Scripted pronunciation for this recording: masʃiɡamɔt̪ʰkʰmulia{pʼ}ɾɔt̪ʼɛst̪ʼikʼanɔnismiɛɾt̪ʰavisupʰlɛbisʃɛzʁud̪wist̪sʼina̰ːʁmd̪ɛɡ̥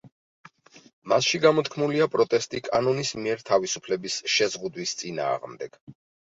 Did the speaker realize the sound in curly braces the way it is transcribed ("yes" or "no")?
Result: yes